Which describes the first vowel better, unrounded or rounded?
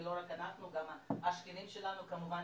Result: rounded